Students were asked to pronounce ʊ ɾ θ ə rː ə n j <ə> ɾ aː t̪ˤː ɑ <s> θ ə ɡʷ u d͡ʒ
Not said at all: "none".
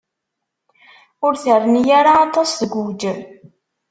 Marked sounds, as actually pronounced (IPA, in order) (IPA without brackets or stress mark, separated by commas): a, s